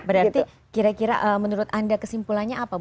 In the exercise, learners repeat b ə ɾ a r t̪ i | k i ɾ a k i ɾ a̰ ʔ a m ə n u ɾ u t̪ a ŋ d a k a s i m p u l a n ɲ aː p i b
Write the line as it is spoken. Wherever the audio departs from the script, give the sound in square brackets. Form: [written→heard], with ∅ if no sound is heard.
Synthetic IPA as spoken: b ə ɾ a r t̪ i | k i ɾ a k i ɾ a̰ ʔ [a→ə] m ə n u ɾ [u→ʊ] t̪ a [ŋ→n] d a k [a→ə] s i m p u l a n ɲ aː p [i→a] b